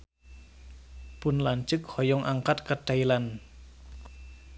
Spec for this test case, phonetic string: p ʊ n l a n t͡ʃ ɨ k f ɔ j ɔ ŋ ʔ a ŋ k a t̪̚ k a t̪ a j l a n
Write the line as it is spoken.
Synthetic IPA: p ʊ n l a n t͡ʃ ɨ k h ɔ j ɔ ŋ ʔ a ŋ k a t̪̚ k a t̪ a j l a n